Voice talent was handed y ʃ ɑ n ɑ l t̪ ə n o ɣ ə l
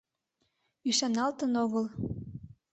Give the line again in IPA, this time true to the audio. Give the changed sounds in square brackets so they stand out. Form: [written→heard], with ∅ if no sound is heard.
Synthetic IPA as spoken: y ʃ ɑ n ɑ l t̪ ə n o ɣ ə l